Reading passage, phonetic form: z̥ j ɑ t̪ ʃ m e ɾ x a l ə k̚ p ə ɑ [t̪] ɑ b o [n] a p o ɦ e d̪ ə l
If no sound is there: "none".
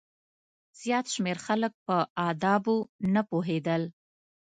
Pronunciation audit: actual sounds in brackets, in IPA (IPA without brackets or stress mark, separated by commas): d̪, n